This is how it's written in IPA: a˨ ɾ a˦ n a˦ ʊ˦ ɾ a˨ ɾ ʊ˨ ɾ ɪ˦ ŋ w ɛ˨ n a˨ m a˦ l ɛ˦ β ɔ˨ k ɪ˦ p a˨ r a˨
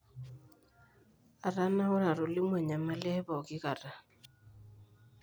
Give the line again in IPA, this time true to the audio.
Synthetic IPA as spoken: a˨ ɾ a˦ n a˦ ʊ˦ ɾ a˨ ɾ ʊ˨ l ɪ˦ m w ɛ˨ ɲ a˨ m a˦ l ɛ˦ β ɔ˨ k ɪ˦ k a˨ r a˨